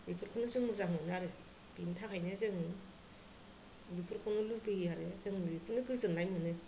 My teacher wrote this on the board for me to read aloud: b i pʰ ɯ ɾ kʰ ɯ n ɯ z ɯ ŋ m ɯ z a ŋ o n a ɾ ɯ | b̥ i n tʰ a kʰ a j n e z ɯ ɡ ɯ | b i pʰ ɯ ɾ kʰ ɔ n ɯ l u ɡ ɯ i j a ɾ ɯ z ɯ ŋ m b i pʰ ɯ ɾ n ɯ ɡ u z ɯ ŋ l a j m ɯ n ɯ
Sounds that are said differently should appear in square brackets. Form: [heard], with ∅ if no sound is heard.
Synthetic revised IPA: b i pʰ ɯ ɾ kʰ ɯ n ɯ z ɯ ŋ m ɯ z a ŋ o n a ɾ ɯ | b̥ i n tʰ a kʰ a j n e z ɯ [ŋ] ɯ | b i pʰ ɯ ɾ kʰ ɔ n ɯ l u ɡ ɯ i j a ɾ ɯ z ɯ ŋ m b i pʰ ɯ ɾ n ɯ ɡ [ɯ] z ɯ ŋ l a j m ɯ n ɯ